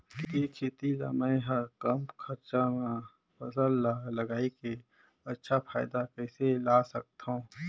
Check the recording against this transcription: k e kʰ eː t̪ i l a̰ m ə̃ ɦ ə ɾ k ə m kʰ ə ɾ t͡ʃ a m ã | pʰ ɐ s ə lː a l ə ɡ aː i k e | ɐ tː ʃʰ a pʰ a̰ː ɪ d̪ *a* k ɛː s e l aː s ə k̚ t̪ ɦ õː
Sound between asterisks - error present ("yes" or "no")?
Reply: no